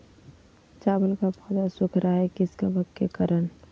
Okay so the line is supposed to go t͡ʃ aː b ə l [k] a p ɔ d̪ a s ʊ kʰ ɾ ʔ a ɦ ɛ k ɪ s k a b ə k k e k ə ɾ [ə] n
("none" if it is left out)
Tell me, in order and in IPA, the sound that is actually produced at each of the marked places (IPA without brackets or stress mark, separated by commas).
k, ə